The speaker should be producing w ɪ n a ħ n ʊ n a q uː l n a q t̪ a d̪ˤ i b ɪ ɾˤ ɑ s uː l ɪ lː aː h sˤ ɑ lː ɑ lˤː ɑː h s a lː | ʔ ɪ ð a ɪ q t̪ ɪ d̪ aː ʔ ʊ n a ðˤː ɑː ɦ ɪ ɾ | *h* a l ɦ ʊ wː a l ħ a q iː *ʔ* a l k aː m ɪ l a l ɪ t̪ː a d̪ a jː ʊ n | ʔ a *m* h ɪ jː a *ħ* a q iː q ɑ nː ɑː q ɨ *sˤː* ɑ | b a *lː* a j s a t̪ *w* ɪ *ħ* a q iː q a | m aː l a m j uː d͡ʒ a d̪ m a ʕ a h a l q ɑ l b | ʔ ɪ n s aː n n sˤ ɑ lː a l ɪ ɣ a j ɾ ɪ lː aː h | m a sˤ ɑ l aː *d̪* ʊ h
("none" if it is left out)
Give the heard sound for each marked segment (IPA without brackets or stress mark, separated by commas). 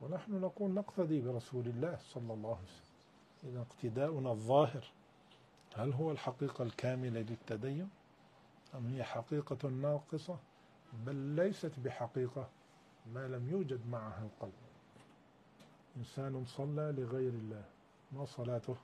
h, q, m, ħ, sˤ, lː, b, ħ, t̪